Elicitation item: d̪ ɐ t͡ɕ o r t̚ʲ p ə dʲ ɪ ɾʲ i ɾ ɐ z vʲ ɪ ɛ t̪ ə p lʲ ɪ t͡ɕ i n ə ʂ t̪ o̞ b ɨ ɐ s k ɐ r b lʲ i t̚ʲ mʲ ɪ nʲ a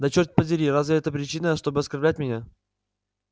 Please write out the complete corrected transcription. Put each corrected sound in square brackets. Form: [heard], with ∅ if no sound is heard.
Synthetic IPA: d̪ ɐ t͡ɕ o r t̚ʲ p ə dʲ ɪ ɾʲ i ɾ [a] z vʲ ɪ ɛ t̪ ə p [ɾʲ] ɪ t͡ɕ i n ə ʂ t̪ o̞ b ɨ ɐ s k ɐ r b lʲ [æ] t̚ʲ mʲ ɪ nʲ a